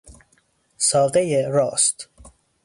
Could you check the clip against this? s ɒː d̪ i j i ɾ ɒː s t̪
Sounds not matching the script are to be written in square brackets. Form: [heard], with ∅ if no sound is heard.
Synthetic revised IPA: s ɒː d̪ [e] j [e] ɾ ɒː s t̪